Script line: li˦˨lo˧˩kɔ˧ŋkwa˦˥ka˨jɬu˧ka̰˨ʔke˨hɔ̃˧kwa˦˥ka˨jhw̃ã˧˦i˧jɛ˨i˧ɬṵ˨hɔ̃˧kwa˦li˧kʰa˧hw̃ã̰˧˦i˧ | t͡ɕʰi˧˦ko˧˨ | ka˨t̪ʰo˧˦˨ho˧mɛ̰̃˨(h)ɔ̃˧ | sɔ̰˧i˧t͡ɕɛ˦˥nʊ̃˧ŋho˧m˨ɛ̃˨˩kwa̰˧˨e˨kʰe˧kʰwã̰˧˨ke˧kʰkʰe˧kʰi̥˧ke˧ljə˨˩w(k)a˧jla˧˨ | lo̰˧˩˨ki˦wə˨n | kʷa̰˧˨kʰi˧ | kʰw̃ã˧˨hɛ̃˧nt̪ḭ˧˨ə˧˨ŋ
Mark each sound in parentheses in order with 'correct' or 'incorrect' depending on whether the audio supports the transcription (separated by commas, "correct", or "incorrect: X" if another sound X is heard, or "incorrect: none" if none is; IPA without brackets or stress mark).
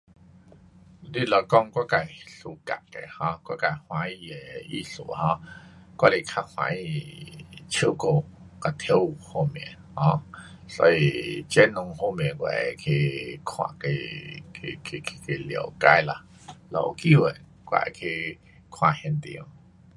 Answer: correct, correct